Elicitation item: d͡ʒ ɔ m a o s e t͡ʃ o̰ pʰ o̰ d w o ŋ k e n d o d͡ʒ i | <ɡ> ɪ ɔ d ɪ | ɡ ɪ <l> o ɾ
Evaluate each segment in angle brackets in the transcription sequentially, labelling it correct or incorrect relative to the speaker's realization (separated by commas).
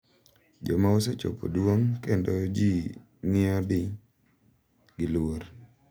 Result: incorrect, correct